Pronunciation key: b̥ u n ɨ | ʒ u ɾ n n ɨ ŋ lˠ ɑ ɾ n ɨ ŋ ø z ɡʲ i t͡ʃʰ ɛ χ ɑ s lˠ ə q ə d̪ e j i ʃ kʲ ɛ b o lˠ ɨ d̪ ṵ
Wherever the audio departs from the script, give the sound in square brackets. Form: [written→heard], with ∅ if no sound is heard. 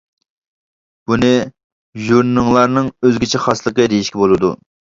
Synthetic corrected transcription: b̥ u n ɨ | ʒ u ɾ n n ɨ ŋ lˠ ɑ ɾ n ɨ ŋ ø z ɡʲ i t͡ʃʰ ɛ χ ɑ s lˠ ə q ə d̪ e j i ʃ kʲ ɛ b o lˠ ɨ d̪ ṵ